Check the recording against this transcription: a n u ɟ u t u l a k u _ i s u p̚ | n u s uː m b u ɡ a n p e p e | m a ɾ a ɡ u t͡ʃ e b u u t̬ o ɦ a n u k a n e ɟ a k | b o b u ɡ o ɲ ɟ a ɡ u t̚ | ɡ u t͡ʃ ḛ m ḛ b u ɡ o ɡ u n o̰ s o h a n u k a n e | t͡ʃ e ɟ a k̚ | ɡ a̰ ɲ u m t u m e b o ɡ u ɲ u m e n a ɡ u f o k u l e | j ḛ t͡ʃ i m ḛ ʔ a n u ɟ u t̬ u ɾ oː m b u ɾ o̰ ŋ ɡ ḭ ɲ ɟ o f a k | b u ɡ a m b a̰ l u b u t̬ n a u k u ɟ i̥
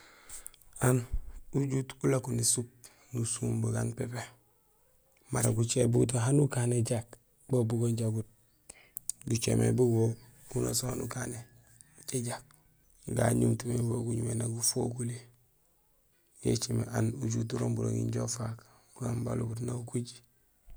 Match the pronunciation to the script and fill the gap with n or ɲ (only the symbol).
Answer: n